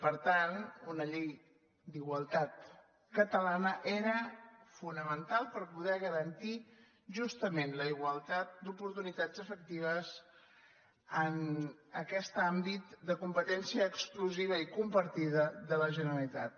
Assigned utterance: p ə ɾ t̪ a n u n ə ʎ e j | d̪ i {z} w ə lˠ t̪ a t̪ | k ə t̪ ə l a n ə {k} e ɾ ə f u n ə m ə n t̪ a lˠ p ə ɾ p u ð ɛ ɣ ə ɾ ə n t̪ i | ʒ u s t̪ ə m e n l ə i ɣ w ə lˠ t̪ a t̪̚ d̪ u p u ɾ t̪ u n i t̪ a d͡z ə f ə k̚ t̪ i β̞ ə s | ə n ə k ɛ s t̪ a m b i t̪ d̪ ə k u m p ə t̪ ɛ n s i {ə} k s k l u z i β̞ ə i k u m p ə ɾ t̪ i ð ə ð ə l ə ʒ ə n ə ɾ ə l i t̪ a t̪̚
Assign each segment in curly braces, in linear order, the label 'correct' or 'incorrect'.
incorrect: ɣ, incorrect: ʔ, incorrect: əː

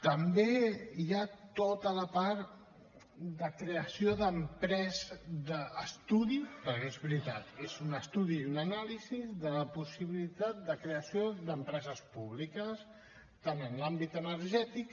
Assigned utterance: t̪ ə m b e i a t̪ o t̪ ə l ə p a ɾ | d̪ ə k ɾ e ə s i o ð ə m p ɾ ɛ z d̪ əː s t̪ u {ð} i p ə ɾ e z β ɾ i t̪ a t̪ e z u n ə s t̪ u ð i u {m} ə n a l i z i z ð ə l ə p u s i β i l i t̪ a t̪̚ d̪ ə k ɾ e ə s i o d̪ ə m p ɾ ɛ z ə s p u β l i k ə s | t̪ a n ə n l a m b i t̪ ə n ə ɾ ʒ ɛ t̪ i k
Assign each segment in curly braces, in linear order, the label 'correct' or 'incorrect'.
correct, incorrect: n

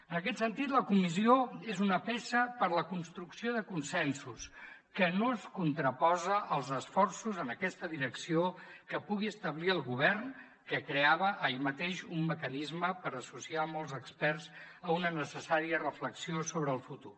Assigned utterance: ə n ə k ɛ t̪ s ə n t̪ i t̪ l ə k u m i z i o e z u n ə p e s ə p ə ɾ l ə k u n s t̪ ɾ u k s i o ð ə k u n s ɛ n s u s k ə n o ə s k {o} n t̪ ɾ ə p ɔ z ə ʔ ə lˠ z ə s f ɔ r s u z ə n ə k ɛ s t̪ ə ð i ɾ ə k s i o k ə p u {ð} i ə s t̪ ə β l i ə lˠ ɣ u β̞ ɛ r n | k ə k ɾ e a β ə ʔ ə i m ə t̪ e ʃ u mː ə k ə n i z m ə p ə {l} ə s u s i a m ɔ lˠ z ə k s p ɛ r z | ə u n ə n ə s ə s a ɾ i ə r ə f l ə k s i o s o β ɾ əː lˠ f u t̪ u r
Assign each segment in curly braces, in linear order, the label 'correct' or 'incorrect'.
incorrect: u, incorrect: ɣ, incorrect: ɾ

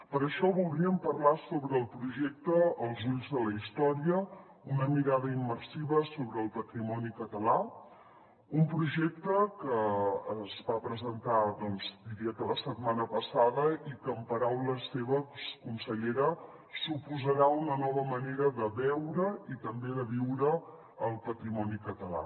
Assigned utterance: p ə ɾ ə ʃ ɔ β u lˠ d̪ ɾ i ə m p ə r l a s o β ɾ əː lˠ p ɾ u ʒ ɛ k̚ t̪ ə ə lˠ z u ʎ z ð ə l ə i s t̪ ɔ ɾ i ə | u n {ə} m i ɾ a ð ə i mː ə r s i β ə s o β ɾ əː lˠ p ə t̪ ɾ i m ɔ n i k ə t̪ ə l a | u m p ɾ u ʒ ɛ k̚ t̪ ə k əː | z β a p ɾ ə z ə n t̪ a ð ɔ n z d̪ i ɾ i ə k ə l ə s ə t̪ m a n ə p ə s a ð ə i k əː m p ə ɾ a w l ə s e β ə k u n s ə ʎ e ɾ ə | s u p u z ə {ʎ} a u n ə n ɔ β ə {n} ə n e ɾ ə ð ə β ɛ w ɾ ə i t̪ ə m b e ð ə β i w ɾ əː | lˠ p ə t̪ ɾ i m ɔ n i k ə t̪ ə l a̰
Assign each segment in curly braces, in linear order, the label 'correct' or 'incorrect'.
correct, incorrect: ɾ, incorrect: m

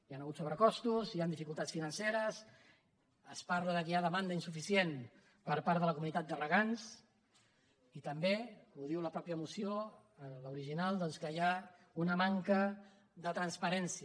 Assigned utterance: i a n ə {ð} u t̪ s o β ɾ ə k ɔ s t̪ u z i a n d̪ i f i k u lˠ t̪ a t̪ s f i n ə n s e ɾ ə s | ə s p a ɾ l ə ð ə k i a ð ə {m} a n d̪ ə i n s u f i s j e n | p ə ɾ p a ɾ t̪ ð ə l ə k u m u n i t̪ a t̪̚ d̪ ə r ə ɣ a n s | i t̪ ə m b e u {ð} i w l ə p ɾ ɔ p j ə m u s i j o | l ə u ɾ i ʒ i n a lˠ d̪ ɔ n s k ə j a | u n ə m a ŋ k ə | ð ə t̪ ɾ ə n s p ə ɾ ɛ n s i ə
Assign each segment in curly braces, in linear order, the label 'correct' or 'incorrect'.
incorrect: ɣ, correct, correct

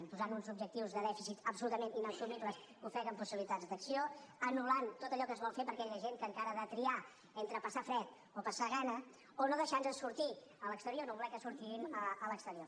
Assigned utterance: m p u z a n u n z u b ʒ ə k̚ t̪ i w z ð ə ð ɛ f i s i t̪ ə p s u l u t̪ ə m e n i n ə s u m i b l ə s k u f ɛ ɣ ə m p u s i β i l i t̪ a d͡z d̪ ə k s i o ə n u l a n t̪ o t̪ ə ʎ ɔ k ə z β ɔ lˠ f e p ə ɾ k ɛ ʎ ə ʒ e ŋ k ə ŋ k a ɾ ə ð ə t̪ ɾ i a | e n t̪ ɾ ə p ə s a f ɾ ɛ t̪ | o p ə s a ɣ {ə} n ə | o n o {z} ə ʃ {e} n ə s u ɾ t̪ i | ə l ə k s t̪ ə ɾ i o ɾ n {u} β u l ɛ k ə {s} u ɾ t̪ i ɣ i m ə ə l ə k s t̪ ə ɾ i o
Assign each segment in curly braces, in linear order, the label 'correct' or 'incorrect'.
incorrect: a, incorrect: ð, incorrect: a, incorrect: o, correct

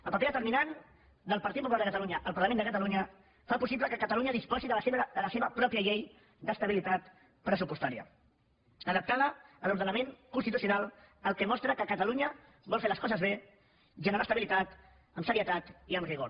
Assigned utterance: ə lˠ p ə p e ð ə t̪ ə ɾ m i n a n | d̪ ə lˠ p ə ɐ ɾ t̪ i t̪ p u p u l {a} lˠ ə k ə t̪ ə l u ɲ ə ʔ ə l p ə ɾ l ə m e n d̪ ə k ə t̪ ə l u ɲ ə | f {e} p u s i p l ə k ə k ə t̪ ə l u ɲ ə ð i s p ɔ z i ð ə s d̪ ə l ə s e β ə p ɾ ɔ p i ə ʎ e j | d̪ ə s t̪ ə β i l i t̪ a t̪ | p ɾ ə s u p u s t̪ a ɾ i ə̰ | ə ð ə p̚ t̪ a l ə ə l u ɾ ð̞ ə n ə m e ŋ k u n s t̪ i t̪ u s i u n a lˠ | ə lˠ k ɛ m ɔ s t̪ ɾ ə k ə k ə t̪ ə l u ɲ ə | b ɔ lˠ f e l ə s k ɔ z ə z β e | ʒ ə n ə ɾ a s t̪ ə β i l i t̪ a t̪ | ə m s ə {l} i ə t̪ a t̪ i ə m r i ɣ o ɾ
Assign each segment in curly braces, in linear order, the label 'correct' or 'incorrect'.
correct, incorrect: a, incorrect: ɾ

